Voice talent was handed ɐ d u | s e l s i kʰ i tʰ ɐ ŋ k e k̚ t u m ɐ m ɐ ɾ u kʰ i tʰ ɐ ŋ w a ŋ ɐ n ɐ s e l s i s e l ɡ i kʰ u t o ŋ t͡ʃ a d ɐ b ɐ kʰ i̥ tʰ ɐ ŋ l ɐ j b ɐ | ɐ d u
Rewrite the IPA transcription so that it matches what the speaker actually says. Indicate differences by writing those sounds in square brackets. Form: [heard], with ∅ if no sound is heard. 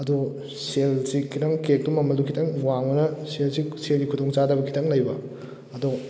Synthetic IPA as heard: ɐ d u | s e l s i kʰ i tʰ ɐ ŋ k e k̚ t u m ɐ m ɐ [l] u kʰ i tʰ ɐ ŋ w a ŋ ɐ n ɐ s e l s i s e l ɡ i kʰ u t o ŋ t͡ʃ a d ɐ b ɐ kʰ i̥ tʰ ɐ ŋ l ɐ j b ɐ | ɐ d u